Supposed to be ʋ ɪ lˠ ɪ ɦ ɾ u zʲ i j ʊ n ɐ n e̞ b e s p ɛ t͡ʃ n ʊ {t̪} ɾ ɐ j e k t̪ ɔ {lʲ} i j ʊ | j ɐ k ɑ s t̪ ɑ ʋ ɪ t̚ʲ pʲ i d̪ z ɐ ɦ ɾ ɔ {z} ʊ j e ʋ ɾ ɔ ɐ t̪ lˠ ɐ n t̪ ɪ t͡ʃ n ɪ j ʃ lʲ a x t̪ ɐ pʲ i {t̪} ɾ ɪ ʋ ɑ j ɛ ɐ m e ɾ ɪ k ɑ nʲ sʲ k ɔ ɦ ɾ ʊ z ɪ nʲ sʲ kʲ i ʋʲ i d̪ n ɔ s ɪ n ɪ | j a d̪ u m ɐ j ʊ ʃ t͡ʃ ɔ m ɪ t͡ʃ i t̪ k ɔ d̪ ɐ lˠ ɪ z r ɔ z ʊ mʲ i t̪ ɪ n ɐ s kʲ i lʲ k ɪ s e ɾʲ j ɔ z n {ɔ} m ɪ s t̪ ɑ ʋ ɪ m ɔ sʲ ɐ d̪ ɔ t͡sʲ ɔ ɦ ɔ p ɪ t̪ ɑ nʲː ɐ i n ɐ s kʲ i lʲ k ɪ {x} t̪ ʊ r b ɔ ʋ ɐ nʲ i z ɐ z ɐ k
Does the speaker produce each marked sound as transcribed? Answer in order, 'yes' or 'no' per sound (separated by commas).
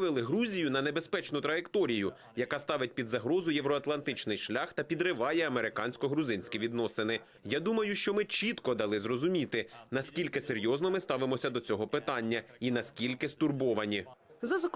yes, no, yes, no, yes, no